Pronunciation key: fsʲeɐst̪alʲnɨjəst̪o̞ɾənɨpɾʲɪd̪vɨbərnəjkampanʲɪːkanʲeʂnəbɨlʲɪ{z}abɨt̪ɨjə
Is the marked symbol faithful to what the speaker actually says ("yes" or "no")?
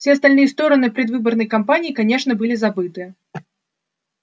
yes